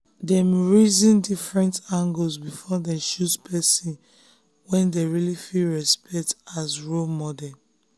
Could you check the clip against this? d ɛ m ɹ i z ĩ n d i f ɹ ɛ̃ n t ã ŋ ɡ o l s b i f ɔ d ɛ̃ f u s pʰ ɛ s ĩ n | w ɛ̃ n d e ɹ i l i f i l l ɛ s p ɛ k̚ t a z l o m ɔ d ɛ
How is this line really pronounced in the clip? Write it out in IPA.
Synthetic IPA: d ɛ m ɹ i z ĩ n d i f ɹ ɛ̃ n t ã ŋ ɡ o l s b i f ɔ d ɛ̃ ʃ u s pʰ ɛ s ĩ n | w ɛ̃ n d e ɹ i l i f i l ɹ ɛ s p ɛ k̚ t a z ɹ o m ɔ d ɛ